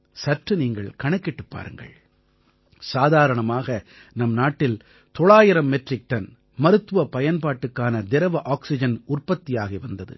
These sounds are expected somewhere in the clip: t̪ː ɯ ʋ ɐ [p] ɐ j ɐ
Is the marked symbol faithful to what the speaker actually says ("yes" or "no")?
yes